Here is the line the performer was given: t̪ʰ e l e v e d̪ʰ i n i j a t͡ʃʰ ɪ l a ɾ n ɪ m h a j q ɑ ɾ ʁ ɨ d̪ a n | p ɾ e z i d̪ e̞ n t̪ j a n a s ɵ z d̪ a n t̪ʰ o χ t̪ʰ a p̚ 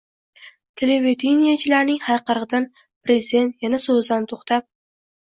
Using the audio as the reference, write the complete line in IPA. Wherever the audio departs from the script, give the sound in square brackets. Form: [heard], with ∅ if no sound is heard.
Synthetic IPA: t̪ʰ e l e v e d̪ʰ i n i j a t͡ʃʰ ɪ l a ɾ n ɪ [ŋ] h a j q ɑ ɾ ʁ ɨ d̪ a n | p ɾ e z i d̪ e̞ n t̪ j a n a s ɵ z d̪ a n t̪ʰ o χ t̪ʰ a p̚